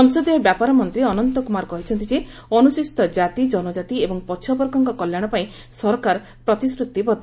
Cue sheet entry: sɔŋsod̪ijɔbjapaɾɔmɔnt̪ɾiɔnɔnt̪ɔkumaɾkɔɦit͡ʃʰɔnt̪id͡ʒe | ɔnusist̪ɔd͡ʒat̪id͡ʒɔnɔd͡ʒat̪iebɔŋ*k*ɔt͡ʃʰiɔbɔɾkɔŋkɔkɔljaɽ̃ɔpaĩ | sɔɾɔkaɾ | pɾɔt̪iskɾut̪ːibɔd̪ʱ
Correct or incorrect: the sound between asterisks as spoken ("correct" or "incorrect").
incorrect